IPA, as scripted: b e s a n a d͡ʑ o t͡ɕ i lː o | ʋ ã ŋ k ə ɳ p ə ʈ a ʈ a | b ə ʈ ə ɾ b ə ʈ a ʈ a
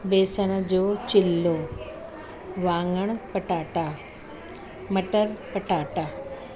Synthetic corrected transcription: b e s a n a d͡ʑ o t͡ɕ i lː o | ʋ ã ŋ ɡ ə ɳ p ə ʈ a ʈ a | m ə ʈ ə ɾ p ə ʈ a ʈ a